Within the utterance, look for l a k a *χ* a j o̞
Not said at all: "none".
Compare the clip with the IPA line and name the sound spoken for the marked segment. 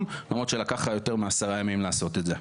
χ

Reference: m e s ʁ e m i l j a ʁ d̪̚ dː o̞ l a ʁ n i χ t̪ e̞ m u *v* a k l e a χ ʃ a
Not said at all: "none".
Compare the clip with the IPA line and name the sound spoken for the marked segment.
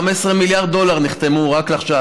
ʁ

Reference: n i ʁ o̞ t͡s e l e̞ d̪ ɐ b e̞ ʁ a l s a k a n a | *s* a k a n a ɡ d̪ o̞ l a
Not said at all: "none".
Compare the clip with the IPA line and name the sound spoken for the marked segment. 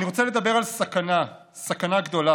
s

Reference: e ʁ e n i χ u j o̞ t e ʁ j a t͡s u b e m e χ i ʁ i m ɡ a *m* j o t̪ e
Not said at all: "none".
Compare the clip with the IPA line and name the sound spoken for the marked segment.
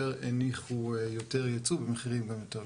m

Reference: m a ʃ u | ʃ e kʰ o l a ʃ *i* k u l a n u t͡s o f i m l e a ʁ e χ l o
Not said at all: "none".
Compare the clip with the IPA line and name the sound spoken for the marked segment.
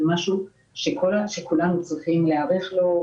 e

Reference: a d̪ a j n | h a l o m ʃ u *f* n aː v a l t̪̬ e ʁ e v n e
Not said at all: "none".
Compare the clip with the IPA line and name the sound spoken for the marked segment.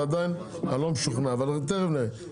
χ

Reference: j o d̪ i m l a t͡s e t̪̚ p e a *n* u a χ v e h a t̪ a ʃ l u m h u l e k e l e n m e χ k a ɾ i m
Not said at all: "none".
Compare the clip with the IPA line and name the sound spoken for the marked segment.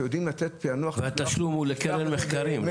n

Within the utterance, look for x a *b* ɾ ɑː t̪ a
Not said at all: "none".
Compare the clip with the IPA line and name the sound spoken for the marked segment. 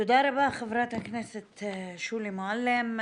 v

